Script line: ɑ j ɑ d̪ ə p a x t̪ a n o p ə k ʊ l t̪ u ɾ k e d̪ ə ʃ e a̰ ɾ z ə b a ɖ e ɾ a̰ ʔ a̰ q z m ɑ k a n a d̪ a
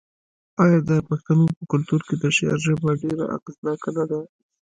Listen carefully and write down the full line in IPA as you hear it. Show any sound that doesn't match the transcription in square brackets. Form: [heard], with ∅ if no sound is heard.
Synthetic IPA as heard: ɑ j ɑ d̪ ə p a x t̪ a n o p ə k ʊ l t̪ u ɾ k e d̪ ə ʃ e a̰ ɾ [ʒ] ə b a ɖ e ɾ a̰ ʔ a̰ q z [n] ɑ k a n a d̪ a